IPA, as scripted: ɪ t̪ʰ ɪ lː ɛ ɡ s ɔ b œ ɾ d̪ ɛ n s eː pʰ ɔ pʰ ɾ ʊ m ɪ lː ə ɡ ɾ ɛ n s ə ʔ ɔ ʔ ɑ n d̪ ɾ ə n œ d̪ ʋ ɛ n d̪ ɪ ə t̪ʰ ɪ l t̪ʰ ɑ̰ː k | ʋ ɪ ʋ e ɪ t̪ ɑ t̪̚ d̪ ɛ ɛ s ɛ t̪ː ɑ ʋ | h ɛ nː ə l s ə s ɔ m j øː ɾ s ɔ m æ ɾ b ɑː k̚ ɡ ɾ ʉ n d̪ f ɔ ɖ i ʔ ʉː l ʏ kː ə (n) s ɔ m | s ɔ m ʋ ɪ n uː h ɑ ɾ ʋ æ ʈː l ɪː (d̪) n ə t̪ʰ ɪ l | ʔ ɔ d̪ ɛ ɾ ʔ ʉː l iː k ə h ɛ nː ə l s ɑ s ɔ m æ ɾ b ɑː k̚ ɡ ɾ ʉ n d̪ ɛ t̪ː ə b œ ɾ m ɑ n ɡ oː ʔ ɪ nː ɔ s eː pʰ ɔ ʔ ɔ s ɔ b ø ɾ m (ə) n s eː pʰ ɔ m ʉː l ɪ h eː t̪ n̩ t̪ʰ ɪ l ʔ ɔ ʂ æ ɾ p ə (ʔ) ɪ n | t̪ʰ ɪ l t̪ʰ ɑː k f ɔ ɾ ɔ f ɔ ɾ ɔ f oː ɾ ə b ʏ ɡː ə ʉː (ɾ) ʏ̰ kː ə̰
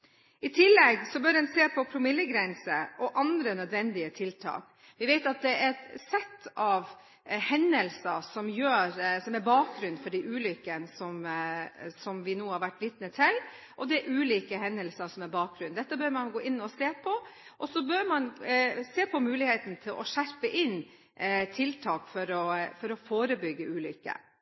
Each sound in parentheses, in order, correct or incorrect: correct, incorrect, incorrect, correct, incorrect

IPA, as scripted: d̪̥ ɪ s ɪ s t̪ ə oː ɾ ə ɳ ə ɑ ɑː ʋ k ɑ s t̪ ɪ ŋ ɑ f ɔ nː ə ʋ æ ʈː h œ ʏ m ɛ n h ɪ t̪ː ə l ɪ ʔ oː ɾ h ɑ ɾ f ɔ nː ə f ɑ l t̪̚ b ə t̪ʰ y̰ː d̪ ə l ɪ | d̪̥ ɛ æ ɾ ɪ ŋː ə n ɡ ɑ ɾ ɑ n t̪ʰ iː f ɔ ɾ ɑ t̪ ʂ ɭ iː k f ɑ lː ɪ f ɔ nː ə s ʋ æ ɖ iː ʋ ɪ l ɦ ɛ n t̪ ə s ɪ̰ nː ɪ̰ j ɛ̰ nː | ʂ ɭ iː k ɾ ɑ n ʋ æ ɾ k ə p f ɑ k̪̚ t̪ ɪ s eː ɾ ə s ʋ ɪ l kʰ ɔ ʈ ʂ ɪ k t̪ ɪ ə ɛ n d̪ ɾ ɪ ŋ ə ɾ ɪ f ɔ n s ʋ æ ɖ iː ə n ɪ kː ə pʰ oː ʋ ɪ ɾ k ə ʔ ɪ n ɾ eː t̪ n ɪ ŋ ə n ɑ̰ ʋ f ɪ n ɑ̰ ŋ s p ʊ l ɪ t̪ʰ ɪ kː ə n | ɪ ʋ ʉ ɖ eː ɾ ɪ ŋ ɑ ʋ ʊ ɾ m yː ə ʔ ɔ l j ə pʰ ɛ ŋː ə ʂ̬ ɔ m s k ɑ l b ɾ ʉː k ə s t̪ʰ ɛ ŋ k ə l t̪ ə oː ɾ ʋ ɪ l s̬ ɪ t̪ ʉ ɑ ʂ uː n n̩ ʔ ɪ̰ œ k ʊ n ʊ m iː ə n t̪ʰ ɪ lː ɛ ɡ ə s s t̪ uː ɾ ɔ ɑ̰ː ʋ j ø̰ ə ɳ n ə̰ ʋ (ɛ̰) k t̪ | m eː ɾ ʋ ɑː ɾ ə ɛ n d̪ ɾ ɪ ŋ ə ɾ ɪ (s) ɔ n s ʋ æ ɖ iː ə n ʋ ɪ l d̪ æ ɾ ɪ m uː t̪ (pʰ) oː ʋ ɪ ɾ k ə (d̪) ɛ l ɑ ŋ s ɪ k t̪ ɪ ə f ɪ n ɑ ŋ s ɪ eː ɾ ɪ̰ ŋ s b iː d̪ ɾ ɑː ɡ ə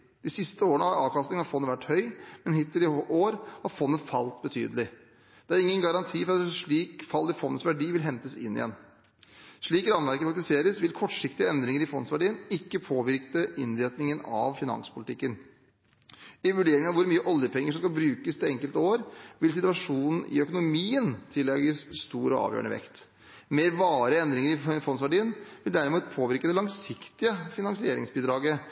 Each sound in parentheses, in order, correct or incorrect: correct, incorrect, correct, correct

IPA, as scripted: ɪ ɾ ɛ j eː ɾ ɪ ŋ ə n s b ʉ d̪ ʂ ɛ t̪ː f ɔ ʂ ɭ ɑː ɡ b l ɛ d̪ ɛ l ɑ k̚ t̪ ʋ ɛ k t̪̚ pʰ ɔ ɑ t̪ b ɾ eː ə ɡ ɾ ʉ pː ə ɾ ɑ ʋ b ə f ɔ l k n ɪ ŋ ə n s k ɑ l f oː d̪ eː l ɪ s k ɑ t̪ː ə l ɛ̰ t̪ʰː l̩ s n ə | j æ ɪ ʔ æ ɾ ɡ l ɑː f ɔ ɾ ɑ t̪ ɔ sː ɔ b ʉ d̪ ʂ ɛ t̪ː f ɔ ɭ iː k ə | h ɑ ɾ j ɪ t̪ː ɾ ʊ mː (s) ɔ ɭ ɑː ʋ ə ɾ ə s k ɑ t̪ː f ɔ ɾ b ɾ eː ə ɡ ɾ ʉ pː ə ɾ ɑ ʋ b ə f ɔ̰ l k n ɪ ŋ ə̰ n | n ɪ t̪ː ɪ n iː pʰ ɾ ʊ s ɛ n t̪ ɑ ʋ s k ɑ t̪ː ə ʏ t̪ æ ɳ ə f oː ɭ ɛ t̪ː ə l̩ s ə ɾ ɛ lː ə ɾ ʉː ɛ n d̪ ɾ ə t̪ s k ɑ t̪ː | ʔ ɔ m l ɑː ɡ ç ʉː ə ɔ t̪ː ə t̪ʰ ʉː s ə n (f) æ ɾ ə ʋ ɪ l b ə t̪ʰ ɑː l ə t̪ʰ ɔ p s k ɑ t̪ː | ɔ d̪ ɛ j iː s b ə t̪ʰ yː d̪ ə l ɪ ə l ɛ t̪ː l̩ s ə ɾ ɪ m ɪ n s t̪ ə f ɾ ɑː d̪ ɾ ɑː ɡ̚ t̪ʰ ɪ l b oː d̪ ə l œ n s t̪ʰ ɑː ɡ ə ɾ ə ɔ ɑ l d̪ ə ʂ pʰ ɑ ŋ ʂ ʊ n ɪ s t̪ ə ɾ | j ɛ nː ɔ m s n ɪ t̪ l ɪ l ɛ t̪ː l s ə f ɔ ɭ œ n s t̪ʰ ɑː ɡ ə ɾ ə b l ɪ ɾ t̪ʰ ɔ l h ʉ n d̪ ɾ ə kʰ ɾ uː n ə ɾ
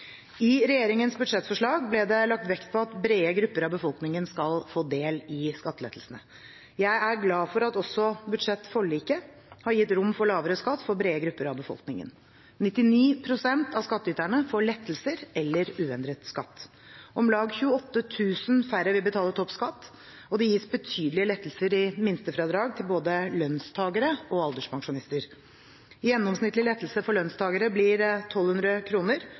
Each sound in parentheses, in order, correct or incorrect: incorrect, correct

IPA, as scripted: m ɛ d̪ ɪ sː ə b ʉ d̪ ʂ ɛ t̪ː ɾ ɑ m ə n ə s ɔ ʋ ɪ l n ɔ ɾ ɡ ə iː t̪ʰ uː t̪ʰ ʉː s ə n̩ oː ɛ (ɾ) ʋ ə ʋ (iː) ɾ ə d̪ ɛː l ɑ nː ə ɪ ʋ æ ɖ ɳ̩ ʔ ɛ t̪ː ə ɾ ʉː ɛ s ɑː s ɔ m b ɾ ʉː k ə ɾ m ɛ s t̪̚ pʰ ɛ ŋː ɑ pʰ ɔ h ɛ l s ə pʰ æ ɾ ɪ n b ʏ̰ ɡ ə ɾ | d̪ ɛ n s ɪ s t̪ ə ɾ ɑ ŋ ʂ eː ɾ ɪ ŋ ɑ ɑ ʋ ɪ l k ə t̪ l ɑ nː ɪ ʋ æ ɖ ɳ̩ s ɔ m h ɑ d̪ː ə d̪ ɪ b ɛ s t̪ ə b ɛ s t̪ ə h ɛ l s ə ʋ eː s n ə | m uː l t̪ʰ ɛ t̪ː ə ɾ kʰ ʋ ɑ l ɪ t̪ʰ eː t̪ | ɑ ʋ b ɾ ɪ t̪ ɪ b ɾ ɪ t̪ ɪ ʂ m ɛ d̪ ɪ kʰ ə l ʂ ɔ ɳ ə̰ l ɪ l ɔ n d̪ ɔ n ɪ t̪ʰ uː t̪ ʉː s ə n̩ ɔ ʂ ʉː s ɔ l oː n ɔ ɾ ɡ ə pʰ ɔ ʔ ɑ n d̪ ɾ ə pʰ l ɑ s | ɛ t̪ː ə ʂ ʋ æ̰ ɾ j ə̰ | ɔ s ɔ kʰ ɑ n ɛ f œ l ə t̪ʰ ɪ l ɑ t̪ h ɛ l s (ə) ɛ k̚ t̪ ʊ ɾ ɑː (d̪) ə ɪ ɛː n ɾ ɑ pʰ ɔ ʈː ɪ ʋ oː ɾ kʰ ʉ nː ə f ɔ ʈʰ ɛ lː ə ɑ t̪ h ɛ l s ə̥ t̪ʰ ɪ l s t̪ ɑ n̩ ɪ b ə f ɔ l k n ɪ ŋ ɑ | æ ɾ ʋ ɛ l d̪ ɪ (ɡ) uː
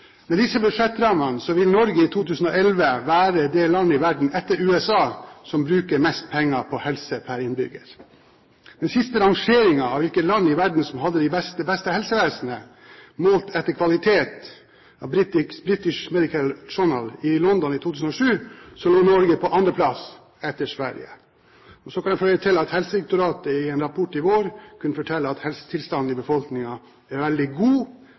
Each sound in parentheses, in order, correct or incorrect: incorrect, incorrect, correct, incorrect, correct

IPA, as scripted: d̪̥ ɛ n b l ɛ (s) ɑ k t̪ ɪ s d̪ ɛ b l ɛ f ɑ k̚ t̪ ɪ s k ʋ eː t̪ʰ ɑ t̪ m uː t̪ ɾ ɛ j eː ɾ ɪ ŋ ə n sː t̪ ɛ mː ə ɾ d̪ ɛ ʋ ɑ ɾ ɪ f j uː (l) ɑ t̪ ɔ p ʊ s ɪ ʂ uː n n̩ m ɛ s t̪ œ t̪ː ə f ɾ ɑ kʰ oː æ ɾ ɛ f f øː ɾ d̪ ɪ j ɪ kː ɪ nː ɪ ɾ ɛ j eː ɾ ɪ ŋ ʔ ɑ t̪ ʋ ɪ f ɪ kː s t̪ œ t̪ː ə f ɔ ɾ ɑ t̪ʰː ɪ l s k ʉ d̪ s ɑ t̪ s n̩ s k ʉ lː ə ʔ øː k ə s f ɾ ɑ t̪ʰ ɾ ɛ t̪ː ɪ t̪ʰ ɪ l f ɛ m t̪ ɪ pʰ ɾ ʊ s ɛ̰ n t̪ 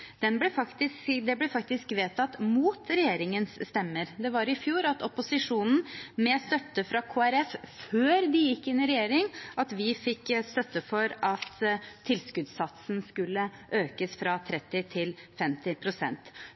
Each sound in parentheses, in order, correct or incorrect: incorrect, incorrect

